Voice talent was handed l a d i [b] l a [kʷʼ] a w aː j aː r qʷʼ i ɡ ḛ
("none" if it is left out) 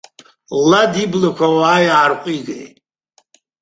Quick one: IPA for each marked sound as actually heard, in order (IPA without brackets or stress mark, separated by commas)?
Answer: b, kʷ